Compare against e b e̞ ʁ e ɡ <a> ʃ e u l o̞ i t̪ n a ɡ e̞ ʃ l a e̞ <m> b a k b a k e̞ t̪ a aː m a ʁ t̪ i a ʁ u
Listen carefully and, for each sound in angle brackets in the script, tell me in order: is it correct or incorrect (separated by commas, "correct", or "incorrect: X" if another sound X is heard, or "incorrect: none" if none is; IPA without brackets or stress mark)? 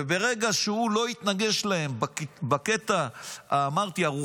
correct, correct